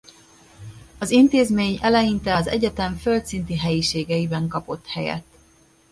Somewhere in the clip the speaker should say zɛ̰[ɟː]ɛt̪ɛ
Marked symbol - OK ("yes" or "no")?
no